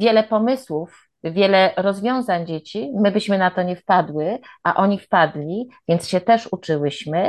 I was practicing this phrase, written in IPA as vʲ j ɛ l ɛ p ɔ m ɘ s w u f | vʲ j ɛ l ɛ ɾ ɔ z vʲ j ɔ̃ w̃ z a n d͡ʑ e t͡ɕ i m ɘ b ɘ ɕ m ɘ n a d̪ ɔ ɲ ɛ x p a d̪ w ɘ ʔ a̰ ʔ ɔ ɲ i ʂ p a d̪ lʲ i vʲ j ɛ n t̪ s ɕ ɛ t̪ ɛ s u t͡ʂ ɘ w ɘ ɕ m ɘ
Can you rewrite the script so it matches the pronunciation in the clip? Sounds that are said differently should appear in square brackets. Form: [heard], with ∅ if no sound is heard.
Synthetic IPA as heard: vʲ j ɛ l ɛ p ɔ m ɘ s w u f | vʲ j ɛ l ɛ ɾ ɔ z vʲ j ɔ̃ w̃ z a [ɲ] d͡ʑ e t͡ɕ i m ɘ b ɘ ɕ m ɘ n a [t̪] ɔ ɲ ɛ [f] p a d̪ w ɘ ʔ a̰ ʔ ɔ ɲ i [f] p a d̪ lʲ i vʲ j ɛ n t̪ s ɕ ɛ t̪ ɛ [ʂ] u t͡ʂ ɘ w ɘ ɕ m ɘ